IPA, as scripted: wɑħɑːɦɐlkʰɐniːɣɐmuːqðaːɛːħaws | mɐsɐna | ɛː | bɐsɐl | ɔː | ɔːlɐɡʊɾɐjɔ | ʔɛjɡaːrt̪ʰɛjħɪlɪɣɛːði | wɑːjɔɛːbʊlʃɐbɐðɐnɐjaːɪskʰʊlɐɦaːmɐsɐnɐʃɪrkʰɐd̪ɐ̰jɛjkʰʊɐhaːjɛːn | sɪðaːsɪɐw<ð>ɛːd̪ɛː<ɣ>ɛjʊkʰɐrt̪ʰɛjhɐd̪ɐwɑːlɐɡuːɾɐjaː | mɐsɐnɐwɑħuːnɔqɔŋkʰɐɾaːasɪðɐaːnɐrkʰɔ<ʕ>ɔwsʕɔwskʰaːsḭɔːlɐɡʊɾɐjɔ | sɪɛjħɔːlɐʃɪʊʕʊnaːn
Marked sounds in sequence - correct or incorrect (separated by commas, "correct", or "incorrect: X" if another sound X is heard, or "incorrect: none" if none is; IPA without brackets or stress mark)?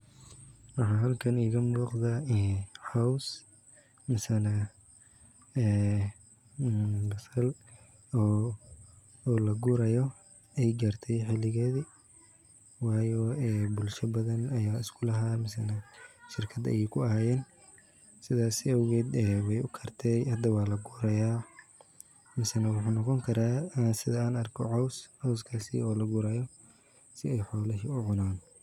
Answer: incorrect: ɣ, incorrect: w, correct